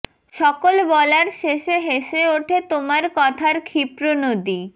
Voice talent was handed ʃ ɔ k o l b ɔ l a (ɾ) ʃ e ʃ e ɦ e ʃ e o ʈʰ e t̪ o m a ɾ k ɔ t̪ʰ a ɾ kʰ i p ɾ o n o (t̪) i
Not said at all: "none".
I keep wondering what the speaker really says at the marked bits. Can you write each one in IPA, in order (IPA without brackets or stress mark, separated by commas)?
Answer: ɾ, d̪